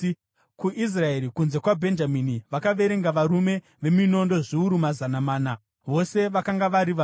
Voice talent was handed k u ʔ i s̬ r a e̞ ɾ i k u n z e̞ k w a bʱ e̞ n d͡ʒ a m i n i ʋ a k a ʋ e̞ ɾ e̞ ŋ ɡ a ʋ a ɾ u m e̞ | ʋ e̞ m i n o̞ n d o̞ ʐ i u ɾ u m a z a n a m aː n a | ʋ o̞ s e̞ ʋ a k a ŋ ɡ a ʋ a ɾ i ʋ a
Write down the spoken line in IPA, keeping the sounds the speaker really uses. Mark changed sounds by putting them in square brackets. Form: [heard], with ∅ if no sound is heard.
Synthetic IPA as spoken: k u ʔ i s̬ r a e̞ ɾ i k u n z e̞ k w a bʱ e̞ n d͡ʒ a m i n i ʋ a k a ʋ e̞ ɾ e̞ ŋ ɡ a ʋ a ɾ u m e̞ | ʋ e̞ m i n o̞ n d o̞ ʐ i u ɾ u m a z a n a m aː n a | ʋ o̞ s e̞ ʋ a k a ŋ ɡ a ʋ a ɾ i ʋ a